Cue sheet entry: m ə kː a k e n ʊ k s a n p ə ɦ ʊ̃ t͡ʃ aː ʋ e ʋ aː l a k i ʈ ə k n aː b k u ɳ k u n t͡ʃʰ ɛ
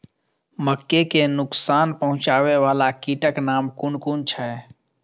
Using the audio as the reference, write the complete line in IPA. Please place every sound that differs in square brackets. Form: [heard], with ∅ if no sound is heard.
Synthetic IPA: m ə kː [e] k e n ʊ k s a n p ə ɦ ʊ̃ t͡ʃ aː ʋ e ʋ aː l a k i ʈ ə k n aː [m] k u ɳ k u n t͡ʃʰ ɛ